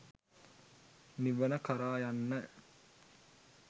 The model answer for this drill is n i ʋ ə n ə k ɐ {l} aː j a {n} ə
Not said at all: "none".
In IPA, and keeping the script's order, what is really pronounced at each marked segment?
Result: ɾ, nː

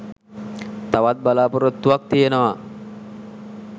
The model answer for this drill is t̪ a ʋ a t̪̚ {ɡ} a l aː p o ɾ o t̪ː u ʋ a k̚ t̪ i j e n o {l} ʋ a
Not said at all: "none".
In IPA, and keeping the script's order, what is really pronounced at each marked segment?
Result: b, none

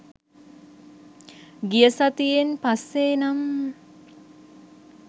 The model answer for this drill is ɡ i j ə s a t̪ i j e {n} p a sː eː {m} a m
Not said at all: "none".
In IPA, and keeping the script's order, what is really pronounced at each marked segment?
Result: n, n

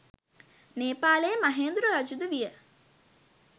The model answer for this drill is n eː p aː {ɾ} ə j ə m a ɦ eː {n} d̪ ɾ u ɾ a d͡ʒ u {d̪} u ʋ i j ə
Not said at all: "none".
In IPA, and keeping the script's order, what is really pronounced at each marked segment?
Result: l, n, d̪

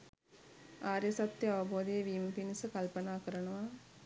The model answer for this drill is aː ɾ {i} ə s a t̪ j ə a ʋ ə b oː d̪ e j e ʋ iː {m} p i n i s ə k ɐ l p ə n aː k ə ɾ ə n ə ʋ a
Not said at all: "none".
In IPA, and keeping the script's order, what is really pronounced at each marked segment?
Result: j, m

